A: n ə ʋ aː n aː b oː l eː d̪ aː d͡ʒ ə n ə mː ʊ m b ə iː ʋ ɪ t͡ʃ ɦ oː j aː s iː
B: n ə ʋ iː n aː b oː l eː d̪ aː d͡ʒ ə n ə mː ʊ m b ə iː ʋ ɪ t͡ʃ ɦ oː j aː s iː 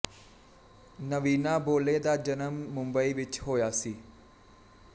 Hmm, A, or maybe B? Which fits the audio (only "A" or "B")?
B